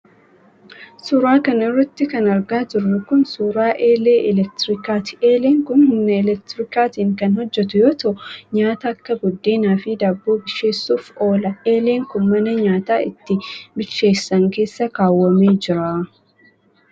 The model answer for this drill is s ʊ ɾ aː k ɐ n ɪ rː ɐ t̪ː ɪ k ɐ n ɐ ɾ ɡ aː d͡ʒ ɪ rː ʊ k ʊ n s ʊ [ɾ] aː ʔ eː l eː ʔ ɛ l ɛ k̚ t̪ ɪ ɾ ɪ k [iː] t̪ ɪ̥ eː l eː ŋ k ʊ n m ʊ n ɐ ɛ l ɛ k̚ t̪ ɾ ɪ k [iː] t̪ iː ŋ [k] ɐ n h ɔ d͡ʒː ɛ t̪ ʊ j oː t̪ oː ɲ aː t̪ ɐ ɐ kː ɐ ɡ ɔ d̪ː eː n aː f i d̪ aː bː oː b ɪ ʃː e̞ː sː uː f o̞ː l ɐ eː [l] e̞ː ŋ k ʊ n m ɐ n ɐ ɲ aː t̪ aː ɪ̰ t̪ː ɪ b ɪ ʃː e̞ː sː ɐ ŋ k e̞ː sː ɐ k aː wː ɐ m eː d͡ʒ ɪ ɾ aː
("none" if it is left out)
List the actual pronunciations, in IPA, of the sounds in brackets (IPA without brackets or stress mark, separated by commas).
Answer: ɾ, aː, aː, k, l